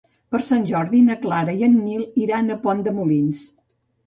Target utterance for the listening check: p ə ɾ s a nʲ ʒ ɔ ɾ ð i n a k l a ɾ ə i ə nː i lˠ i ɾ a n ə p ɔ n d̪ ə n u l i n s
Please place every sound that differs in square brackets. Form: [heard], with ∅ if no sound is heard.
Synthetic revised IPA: p ə ɾ s a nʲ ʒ ɔ ɾ ð i n [ə] k l a ɾ ə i ə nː i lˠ i ɾ a n ə p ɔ n d̪ ə [m] u l i n s